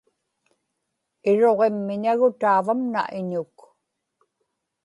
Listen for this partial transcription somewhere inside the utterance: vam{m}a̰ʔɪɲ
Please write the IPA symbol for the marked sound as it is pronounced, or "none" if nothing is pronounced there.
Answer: n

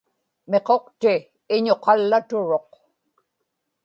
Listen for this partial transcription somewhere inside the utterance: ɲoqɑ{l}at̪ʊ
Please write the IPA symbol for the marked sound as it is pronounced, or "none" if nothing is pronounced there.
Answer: lː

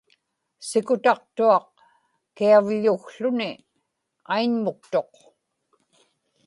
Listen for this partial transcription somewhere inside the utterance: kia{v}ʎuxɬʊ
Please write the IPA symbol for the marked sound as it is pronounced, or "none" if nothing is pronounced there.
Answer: v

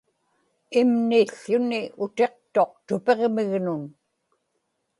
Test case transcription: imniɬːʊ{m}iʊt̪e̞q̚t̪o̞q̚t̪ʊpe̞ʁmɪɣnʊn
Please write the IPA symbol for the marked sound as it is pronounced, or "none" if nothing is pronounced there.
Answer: n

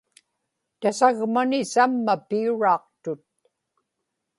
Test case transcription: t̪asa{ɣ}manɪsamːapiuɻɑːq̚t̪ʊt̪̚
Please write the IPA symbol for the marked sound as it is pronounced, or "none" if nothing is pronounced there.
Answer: ɣ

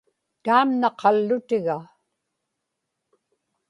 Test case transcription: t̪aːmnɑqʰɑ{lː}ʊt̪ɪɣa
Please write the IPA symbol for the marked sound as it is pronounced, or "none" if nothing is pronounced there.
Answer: lː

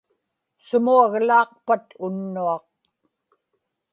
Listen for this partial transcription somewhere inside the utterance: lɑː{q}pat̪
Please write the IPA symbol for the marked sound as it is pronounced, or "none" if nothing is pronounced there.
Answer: q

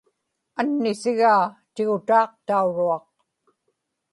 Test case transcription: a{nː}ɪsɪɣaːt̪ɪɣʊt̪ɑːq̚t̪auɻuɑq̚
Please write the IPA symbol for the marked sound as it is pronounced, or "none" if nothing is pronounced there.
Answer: nː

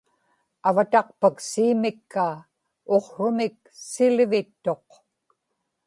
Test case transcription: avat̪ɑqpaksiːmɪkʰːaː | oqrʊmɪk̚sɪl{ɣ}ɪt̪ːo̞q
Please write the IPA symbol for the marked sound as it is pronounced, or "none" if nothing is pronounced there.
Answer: v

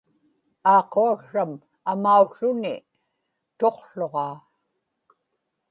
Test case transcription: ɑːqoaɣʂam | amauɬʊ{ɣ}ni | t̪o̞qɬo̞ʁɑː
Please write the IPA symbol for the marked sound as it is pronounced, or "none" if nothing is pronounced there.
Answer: none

